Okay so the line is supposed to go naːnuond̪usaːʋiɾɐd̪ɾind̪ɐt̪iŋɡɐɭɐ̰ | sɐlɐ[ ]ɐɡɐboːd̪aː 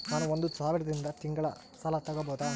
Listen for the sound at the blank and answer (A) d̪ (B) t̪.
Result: B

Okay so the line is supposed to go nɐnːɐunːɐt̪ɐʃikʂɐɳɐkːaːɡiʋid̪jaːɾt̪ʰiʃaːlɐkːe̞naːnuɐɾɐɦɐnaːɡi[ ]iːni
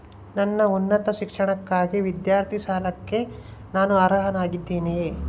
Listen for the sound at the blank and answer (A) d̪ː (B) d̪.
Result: A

